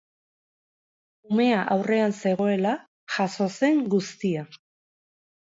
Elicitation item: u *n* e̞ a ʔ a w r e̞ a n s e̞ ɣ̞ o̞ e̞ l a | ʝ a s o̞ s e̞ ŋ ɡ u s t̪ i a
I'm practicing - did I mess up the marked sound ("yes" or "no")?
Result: yes